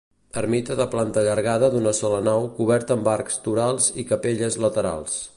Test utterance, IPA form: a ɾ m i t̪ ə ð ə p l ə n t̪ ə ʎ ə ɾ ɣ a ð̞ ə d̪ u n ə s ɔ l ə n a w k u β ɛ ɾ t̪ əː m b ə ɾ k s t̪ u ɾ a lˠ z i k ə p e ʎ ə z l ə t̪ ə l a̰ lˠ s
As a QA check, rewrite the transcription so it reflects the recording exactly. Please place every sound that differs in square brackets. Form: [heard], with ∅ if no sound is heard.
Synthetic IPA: [ə] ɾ m i t̪ ə ð ə p l [a] n t̪ ə ʎ ə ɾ ɣ a ð̞ ə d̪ u n ə s ɔ l ə n a w k u β ɛ ɾ t̪ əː m b [a] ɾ k s t̪ u ɾ a lˠ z i k ə p e ʎ ə z l ə t̪ ə [ɾ] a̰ lˠ s